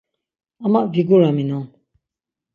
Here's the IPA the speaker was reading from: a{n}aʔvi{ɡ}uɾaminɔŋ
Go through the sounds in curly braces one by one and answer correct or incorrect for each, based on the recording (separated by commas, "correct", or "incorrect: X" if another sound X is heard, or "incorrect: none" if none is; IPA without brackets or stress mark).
incorrect: m, correct